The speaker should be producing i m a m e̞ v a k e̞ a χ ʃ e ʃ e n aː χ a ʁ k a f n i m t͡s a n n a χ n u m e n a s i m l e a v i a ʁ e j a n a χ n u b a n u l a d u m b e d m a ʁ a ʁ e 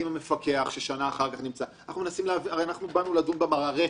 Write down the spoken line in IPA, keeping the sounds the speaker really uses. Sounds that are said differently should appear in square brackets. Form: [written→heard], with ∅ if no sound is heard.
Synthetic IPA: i m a m e̞ [v→f] a k e̞ a χ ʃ e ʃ [e→a] n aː χ a ʁ k a [f→χ] n i m t͡s a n n a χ n u m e n a s i m l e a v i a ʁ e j a n a χ n u b a n u l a d u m b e [d→∅] m a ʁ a ʁ e